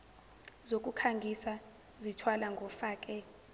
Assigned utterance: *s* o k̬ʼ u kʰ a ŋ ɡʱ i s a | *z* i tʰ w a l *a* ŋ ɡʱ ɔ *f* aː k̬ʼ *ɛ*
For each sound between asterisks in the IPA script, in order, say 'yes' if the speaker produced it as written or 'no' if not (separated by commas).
no, yes, yes, yes, yes